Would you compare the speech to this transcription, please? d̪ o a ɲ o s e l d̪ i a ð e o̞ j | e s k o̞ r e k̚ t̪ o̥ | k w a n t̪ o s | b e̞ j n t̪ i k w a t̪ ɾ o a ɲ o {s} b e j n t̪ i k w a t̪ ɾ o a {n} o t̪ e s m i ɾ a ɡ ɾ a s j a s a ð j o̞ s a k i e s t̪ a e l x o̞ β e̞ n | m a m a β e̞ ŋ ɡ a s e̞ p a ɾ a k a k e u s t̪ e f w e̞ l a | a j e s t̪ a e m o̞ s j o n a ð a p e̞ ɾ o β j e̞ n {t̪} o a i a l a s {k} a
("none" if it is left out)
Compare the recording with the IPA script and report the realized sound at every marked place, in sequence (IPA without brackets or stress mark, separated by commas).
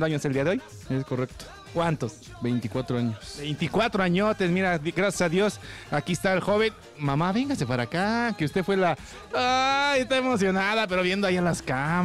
s, ɲ, d̪, k